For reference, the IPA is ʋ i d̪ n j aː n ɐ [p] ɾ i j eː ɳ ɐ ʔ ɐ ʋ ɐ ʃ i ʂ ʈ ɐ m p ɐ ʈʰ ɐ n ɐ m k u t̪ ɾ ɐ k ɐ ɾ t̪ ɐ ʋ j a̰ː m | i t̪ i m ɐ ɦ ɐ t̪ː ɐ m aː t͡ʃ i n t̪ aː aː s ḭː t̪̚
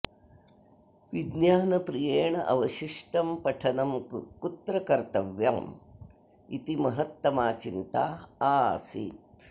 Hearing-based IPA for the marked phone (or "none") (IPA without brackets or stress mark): p